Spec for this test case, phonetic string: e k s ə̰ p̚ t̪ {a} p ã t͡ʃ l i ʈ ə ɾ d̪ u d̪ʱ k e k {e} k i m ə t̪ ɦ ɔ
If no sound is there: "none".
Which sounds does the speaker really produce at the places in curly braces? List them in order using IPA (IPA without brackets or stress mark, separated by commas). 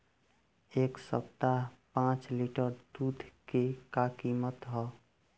a, a